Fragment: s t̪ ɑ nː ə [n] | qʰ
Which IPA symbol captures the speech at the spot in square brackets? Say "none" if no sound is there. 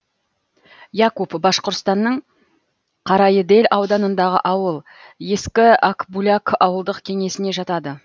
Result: ɴ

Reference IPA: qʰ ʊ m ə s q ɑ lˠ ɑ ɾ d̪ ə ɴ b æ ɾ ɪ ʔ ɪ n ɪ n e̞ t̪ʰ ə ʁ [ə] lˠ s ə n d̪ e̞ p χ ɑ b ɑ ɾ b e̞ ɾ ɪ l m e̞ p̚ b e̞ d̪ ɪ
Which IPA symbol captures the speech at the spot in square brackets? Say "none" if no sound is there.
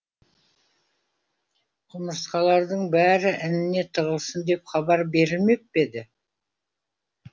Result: ə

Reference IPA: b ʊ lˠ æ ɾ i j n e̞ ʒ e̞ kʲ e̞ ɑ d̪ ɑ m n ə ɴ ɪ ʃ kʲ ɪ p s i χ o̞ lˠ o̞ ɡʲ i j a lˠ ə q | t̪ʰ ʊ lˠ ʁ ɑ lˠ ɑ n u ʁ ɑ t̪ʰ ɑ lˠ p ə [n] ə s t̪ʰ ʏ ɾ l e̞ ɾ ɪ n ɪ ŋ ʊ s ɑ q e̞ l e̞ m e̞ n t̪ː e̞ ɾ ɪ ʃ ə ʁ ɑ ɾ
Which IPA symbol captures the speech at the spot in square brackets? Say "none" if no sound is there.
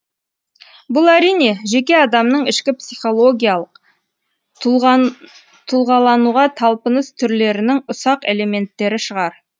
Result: n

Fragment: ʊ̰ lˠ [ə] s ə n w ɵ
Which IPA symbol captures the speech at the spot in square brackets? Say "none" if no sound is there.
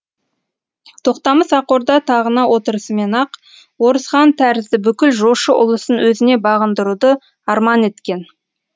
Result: ə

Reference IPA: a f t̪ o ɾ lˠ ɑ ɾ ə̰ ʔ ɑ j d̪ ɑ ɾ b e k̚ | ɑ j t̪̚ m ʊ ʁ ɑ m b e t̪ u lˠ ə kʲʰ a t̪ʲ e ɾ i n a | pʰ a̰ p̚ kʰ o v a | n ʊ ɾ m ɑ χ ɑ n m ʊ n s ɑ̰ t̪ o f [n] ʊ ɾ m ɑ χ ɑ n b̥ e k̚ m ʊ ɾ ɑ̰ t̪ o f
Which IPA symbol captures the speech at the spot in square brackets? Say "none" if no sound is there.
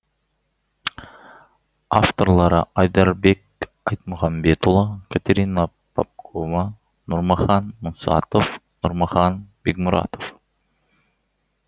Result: n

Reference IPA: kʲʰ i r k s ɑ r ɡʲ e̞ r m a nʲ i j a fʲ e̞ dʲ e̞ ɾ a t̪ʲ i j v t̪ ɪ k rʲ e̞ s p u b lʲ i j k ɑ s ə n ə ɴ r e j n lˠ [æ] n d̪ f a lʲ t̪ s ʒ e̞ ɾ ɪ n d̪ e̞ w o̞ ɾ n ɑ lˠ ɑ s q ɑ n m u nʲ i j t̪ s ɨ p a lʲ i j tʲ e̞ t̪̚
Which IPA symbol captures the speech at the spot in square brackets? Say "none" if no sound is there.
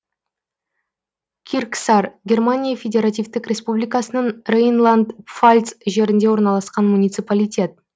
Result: a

